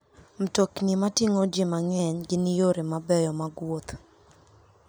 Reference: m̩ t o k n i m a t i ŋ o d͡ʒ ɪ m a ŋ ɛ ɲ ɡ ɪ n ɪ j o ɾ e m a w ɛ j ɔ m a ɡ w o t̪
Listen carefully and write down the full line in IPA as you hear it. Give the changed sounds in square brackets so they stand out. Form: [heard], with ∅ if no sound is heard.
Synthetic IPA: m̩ t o k n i m a t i ŋ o d͡ʒ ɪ m a ŋ ɛ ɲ ɡ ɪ n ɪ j o ɾ e m a [b] ɛ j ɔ m a ɡ w o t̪